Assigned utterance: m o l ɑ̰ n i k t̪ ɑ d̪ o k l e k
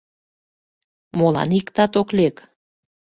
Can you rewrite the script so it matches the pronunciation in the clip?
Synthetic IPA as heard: m o l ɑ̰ n i k t̪ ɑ t̪ o k l e k

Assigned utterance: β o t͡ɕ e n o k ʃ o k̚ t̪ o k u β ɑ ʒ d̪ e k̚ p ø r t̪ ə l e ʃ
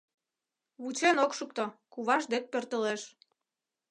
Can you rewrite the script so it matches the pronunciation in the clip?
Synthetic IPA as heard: β u t͡ɕ e n o k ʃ u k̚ t̪ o k u β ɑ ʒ d̪ e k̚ p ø r t̪ ə l e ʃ

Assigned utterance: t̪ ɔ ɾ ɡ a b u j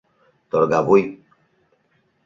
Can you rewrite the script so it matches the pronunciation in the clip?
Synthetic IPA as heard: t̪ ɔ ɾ ɡ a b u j

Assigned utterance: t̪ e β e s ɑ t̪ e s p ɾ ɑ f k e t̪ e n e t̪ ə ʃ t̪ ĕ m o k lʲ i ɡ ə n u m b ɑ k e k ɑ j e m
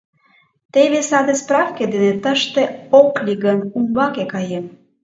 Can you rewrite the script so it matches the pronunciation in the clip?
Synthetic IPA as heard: t̪ e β e s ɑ d̪ e s p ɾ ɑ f k e d̪ e n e t̪ ə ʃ t̪ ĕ o k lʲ i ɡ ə n u m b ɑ k e k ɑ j e m

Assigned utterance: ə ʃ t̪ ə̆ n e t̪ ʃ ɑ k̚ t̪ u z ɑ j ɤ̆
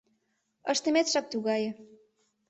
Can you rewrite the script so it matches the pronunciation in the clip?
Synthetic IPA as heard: ə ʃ t̪ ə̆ m e t̪ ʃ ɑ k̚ t̪ u ɣ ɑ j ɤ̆

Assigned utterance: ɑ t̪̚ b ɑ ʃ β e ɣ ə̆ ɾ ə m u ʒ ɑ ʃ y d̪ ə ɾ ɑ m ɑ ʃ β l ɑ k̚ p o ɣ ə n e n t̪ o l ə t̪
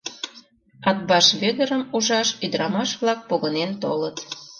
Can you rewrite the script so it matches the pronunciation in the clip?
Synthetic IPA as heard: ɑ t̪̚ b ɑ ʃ β e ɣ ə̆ ɾ ə m u ʒ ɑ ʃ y d̪ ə ɾ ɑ m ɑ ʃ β l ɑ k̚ p o ɣ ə n e n t̪ o l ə t̪

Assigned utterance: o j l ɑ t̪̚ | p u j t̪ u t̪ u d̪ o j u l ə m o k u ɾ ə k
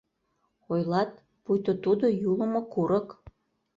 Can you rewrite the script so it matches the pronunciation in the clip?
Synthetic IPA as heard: o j l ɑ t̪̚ | p u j t̪ o t̪ u d̪ o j u l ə m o k u ɾ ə k

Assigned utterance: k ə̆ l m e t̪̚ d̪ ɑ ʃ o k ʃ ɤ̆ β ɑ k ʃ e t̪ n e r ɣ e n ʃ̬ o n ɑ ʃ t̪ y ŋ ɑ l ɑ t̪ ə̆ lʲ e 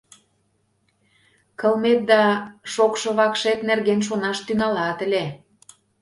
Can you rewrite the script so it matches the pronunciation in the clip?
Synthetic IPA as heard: k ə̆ l m e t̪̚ d̪ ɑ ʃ o k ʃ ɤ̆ β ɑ k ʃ e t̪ n e r ɣ e n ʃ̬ o n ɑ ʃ t̪ y ŋ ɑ l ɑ t̪ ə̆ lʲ e

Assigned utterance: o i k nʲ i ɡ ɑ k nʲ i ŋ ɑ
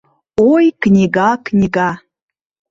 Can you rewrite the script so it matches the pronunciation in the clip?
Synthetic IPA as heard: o j k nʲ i ɡ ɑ k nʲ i ɡ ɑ

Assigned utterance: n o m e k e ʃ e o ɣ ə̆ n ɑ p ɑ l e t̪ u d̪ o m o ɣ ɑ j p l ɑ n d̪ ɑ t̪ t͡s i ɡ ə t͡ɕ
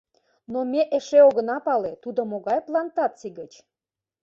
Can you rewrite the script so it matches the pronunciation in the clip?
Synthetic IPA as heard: n o m e ʔ e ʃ e o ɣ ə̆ n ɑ p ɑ l e t̪ u d̪ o m o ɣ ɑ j p l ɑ n t̪ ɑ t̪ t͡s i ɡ ə t͡ɕ

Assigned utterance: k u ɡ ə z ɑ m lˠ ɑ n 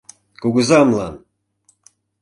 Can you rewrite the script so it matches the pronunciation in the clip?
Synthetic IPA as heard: k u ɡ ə z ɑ m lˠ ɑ n

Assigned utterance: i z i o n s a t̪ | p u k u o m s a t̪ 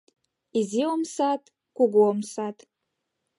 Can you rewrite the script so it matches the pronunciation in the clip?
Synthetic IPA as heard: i z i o m s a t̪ | k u ɡ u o m s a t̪

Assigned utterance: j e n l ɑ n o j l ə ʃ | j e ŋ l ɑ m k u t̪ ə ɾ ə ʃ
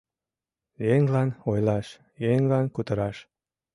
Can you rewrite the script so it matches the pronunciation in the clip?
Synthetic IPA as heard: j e ŋ l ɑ n o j l ɑ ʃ | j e ŋ l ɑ n k u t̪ ə ɾ ɑ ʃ

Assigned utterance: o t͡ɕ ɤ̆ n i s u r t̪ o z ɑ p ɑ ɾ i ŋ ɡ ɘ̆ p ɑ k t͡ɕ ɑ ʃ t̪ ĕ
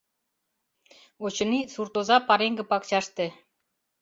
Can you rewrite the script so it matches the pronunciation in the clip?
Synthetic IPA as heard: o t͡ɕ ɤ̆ n i s u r t̪ o z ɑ p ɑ ɾ e ŋ ɡ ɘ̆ p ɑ k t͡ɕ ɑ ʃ t̪ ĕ

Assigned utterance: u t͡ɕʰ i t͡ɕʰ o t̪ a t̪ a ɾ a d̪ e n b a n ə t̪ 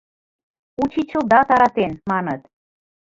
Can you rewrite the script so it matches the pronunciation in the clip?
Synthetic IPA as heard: u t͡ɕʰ i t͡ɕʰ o d̪ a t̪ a ɾ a t̪ e n m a n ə t̪

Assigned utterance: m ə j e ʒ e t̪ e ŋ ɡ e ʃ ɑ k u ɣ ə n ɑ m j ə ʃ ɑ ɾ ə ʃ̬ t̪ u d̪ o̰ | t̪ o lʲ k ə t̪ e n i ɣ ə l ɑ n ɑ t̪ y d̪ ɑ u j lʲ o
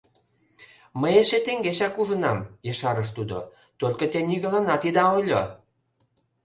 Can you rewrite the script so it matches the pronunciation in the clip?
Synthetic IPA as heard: m ə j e ʃ e t̪ e ŋ ɡ e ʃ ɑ k u ʒ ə n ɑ m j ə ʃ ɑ ɾ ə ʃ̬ t̪ u d̪ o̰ | t̪ o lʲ k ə t̪ e n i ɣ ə l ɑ n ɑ t̪ i d̪ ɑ o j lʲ o

